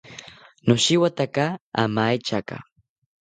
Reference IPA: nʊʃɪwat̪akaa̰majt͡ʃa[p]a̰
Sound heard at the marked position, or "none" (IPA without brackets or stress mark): k